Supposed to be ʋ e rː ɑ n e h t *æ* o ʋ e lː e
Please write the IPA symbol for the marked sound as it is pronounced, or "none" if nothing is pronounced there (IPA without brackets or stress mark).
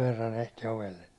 i